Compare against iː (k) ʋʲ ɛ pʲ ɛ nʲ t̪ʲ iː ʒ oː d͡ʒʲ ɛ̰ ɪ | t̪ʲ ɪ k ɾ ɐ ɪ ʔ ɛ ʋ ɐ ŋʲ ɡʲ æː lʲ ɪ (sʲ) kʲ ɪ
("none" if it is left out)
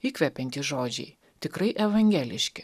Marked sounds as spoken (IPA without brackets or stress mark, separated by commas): k, ʃʲ